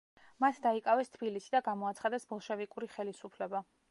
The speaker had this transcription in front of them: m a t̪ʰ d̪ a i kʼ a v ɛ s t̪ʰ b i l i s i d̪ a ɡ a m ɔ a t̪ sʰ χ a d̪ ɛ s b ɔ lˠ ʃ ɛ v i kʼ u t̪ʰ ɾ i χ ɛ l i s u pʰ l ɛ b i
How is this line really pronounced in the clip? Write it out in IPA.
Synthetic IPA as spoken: m a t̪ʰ d̪ a i kʼ a v ɛ s t̪ʰ b i l i s i d̪ a ɡ a m ɔ a t̪ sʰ χ a d̪ ɛ s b ɔ lˠ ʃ ɛ v i kʼ u ɾ i χ ɛ l i s u pʰ l ɛ b a

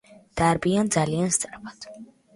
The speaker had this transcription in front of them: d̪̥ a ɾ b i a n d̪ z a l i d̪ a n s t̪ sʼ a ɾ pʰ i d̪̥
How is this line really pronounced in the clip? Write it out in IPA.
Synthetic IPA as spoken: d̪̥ a ɾ b i a n d̪ z a l i a n s t̪ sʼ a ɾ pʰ a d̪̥

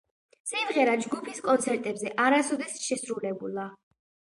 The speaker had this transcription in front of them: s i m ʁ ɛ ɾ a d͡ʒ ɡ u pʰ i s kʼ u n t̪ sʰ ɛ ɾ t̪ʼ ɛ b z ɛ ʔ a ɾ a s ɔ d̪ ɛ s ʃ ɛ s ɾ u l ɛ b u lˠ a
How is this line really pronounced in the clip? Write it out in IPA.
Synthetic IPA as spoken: s i m ʁ ɛ ɾ a d͡ʒ ɡ u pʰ i s kʼ ɔ n t̪ sʰ ɛ ɾ t̪ʼ ɛ b z ɛ ʔ a ɾ a s ɔ d̪ ɛ s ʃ ɛ s ɾ u l ɛ b u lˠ a

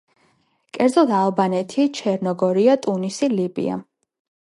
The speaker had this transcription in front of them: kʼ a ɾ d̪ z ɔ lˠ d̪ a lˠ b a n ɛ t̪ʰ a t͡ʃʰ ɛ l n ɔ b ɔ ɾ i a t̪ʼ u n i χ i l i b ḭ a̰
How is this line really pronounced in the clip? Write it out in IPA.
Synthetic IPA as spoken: kʼ ɛ ɾ d̪ z ɔ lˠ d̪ a lˠ b a n ɛ t̪ʰ i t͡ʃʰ ɛ ɾ n ɔ ɡ ɔ ɾ i a t̪ʼ u n i s i l i b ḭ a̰

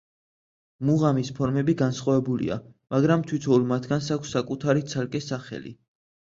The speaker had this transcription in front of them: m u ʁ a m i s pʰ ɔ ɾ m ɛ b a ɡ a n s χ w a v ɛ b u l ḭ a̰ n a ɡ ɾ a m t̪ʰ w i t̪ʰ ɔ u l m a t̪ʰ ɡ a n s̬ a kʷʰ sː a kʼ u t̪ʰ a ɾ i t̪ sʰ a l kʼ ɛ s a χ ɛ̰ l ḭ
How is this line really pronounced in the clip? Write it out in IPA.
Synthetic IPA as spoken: m u ʁ a m i s pʰ ɔ ɾ m ɛ b i ɡ a n s χ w a v ɛ b u l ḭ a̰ m a ɡ ɾ a m t̪ʰ w i t̪ʰ ɔ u l m a t̪ʰ ɡ a n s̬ a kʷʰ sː a kʼ u t̪ʰ a ɾ i t̪ sʰ a l kʼ ɛ s a χ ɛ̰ l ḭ

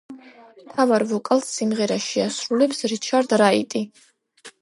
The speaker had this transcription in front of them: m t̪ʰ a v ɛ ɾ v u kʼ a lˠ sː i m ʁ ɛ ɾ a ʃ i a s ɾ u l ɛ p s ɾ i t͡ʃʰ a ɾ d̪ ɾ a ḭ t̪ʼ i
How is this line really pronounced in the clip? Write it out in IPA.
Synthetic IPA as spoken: m t̪ʰ a v a ɾ v ɔ kʼ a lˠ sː i m ʁ ɛ ɾ a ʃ i a s ɾ u l ɛ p s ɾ i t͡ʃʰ a ɾ d̪ ɾ a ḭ t̪ʼ i

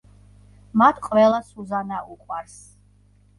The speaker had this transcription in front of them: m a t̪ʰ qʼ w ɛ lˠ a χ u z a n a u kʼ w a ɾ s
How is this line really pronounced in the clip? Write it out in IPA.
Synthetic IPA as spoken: m a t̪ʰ qʼ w ɛ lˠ a s u z a n a u qʼ w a ɾ s

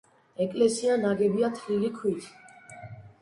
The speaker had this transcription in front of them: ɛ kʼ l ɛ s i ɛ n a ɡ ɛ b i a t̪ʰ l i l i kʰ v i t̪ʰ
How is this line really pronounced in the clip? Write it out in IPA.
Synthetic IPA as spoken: ɛ kʼ l ɛ s i a n a ɡ ɛ b i a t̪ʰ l i l i kʰ w i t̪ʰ

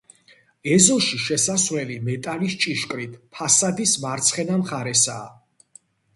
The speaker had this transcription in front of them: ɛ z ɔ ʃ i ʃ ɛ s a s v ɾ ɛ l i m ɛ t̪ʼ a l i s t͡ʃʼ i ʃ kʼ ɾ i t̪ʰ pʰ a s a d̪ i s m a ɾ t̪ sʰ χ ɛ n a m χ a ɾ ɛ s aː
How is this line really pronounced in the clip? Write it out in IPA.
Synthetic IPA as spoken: ɛ z ɔ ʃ i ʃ ɛ s a s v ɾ ɛ l i m ɛ t̪ʼ a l i s t͡ʃʼ i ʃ kʼ ɾ i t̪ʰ pʰ a s a d̪ i s m a ɾ t̪ sʰ χ ɛ n a m χ a ɾ ɛ s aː

